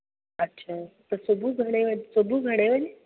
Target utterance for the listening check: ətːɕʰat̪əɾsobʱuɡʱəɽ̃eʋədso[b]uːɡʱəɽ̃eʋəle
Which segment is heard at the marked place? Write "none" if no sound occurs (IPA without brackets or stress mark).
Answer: b